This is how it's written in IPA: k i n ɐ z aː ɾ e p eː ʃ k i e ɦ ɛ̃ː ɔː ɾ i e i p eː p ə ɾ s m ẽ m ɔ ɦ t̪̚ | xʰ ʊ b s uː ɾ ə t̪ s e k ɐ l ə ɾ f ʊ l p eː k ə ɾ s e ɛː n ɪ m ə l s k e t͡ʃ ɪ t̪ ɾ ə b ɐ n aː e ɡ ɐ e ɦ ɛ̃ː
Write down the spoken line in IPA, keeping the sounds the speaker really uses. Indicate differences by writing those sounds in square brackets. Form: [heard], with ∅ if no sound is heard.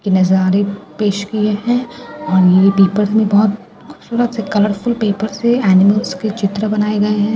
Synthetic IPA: k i n ɐ z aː ɾ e p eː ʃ k i e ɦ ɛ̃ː ɔː ɾ [j] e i p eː p ə ɾ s m ẽ [b] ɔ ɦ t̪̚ | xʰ ʊ b s uː ɾ ə t̪ s e k ɐ l ə ɾ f ʊ l p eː [p] ə ɾ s e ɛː n ɪ m ə l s k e t͡ʃ ɪ t̪ ɾ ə b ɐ n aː e ɡ ɐ e ɦ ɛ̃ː